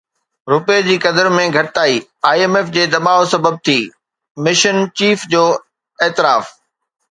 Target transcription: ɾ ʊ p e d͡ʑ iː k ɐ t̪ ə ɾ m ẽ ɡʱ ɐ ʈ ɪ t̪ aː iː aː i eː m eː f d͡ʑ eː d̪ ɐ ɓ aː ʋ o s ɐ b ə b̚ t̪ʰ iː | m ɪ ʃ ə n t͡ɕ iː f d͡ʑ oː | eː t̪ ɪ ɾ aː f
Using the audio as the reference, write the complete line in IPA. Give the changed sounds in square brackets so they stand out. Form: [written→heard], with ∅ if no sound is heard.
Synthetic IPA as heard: ɾ ʊ p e d͡ʑ iː k ɐ [t̪→d̪] ə ɾ m ẽ ɡʱ ɐ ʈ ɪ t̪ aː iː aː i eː m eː f d͡ʑ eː d̪ ɐ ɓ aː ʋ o s ɐ b ə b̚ t̪ʰ iː | m ɪ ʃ ə n t͡ɕ iː f d͡ʑ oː | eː t̪ ɪ ɾ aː f